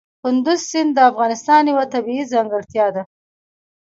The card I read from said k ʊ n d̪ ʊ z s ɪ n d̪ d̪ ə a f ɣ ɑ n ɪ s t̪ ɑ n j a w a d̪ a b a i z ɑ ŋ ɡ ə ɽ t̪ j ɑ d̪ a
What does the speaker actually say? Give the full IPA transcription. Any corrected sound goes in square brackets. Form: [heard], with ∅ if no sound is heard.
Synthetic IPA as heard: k ʊ n d̪ ʊ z s ɪ n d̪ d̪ ə a f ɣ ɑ n ɪ s t̪ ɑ n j a w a [t̪] a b [i] i z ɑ ŋ ɡ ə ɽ t̪ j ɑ d̪ a